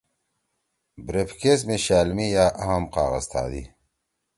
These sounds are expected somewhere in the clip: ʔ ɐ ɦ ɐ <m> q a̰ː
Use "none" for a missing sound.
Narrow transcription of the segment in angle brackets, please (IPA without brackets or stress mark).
m